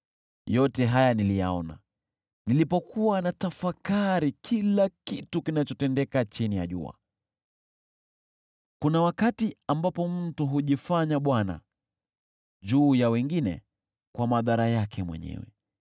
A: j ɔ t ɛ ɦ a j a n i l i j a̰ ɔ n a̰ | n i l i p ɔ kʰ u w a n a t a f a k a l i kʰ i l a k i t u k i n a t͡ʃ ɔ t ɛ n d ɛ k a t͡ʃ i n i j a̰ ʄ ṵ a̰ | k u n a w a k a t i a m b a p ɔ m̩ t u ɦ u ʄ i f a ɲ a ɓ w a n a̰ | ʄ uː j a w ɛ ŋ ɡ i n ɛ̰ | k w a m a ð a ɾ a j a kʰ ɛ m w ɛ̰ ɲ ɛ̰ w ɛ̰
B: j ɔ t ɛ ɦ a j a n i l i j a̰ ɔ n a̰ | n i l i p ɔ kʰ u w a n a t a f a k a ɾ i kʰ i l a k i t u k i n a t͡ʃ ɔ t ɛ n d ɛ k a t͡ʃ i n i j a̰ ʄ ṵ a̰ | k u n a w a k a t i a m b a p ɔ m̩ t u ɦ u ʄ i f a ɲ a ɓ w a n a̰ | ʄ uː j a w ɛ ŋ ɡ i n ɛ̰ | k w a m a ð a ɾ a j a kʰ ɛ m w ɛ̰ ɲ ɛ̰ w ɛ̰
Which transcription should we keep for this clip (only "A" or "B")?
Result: B